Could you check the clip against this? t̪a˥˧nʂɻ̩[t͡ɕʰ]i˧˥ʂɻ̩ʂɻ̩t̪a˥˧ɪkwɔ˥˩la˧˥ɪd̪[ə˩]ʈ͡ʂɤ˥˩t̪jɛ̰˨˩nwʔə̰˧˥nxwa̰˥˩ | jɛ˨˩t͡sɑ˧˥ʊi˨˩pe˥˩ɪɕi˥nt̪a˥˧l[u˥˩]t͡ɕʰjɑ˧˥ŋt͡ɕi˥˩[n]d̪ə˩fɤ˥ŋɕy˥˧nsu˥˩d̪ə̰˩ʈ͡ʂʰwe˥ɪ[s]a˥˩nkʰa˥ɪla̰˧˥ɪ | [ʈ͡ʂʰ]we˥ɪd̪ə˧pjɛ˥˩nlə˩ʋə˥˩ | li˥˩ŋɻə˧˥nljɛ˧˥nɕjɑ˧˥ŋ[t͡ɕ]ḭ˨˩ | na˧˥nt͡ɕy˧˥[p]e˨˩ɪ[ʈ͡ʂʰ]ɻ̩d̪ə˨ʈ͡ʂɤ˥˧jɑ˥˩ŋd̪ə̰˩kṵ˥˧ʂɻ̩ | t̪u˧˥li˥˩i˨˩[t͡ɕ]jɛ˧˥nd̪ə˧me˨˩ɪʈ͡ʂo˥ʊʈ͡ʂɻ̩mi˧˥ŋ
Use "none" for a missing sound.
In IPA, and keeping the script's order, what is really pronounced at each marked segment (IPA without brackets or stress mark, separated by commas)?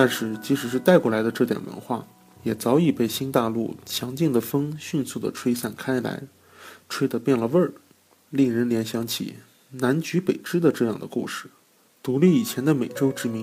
t͡ɕ, ə˧, u˥˩, ŋ, s, ʈ͡ʂʰ, t͡ɕʰ, p, ʈ͡ʂ, t͡ɕʰ